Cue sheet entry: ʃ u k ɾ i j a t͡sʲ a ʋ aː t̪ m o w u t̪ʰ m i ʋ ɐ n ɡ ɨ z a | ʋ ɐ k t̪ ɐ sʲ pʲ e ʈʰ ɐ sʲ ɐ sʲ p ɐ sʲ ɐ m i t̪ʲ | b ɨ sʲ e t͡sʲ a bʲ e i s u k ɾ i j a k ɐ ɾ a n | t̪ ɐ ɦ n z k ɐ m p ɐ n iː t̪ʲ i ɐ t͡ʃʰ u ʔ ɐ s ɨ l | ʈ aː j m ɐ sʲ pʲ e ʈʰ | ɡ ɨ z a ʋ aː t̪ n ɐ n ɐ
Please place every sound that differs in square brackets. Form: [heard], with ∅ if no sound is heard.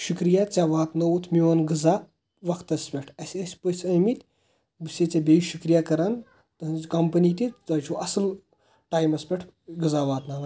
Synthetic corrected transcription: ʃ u k ɾ i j a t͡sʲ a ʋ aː t̪ [n] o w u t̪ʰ m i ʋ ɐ n ɡ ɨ z a | ʋ ɐ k t̪ ɐ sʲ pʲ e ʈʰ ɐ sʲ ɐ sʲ p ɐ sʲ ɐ m i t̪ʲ | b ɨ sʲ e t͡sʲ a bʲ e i [ʃ] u k ɾ i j a k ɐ ɾ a n | t̪ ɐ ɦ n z k ɐ m p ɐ n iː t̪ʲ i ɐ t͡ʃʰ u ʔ ɐ s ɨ l | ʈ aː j m ɐ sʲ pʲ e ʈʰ | ɡ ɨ z a ʋ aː t̪ n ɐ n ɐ